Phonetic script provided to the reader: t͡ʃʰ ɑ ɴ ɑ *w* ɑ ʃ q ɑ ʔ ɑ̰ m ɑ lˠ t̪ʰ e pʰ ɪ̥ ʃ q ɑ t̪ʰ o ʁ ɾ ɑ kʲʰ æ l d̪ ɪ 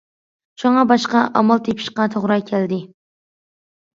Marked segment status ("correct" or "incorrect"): incorrect